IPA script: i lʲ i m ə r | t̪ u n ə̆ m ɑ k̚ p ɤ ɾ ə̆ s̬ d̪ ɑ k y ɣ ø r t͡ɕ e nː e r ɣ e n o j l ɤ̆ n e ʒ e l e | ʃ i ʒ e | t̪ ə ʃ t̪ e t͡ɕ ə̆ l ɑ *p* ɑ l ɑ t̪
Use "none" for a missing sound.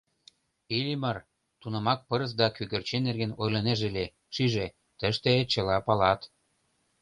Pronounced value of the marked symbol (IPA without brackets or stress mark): p